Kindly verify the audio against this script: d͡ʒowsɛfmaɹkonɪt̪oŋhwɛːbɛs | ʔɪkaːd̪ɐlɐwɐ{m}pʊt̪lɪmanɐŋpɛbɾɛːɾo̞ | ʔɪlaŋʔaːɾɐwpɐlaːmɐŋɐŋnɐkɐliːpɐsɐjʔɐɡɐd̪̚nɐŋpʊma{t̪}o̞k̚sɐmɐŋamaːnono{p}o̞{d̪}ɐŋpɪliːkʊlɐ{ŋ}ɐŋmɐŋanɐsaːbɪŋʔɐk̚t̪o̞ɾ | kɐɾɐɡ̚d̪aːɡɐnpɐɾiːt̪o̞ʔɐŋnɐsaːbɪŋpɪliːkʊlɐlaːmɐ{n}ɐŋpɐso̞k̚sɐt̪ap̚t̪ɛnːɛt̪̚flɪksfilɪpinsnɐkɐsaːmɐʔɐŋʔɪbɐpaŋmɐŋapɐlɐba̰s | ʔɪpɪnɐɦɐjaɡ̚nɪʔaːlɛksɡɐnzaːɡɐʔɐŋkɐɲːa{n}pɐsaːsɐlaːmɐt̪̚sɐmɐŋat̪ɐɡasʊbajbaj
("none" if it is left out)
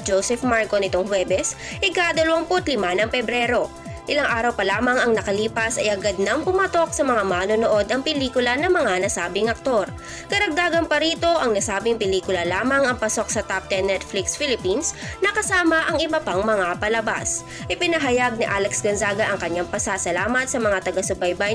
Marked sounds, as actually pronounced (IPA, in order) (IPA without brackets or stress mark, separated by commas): ŋ, t̪, ʔ, d̪, n, ŋ, ŋ